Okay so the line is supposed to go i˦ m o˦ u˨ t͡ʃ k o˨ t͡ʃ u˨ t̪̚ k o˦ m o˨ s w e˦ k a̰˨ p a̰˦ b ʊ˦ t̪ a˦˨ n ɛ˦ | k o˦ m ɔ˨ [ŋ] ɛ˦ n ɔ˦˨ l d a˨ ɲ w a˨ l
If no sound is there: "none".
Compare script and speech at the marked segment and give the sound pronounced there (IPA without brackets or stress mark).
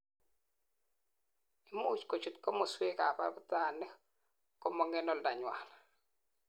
ŋ